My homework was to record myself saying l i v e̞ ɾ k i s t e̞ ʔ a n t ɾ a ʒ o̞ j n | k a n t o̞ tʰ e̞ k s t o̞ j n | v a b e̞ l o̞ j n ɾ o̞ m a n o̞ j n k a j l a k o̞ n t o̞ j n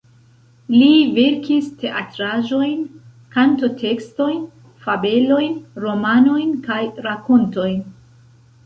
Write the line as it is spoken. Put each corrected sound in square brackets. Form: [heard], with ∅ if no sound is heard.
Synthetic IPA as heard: l i v e̞ ɾ k i s t e̞ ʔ a [∅] t ɾ a ʒ o̞ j n | k a n t o̞ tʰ e̞ k s t o̞ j n | [f] a b e̞ l o̞ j n ɾ o̞ m a n o̞ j n k a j [ɾ] a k o̞ n t o̞ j n